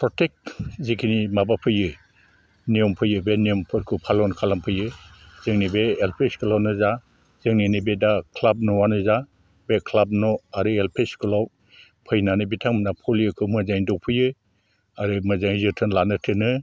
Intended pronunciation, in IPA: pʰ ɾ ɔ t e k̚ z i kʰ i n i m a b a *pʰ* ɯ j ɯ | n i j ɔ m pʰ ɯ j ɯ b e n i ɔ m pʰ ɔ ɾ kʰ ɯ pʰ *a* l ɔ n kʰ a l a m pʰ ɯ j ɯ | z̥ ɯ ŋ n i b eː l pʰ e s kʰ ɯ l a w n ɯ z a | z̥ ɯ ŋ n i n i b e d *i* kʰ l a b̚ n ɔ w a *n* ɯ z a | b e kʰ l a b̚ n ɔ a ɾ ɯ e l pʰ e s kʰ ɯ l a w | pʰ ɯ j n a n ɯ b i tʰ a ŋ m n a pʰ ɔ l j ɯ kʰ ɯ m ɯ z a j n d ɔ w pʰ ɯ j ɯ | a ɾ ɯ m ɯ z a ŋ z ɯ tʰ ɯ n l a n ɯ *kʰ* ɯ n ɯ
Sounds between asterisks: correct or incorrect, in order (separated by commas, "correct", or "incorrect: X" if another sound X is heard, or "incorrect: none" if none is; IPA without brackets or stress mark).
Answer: correct, correct, incorrect: a, correct, incorrect: tʰ